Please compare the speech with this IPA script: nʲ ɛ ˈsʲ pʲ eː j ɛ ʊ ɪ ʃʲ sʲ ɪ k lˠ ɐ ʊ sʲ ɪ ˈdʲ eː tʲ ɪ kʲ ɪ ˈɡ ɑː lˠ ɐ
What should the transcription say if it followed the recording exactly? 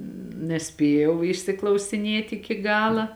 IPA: nʲ ɛ ˈsʲ pʲ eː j ɛ ʊ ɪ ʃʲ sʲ ɪ k lˠ ɐ ʊ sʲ ɪ ˈnʲ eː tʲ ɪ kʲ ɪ ˈɡ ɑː lˠ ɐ